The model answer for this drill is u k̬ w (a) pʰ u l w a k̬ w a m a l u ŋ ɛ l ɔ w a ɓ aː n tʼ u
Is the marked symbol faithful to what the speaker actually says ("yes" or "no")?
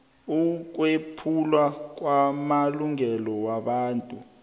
no